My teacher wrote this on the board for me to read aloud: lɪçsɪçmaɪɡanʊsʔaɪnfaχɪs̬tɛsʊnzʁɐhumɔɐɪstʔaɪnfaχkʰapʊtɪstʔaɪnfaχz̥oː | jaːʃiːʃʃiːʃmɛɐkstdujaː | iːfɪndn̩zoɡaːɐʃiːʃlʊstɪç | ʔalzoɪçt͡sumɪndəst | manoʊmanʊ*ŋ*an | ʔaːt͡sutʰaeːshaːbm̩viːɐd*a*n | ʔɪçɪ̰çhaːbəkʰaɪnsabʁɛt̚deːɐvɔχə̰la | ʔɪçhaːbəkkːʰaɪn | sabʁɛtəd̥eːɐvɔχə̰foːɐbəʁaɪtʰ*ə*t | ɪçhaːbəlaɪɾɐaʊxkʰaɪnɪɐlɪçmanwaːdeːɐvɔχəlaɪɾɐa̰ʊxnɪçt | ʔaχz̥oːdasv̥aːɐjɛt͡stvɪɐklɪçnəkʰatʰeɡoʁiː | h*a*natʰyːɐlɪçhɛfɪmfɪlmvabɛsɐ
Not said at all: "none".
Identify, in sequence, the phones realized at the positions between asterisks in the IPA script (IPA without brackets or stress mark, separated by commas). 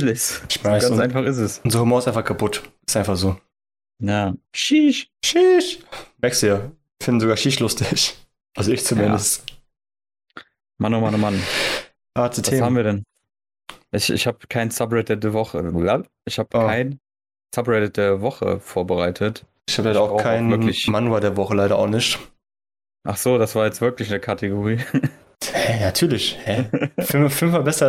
m, ɛ, ə, ɛ